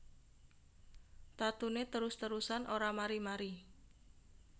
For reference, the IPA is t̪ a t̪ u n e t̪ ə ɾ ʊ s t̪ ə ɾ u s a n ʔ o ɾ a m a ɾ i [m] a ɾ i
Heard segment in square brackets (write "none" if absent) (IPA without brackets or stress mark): m